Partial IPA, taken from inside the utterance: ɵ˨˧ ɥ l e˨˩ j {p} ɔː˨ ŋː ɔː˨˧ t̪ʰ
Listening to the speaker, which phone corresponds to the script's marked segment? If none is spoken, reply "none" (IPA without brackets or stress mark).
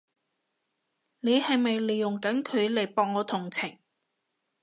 p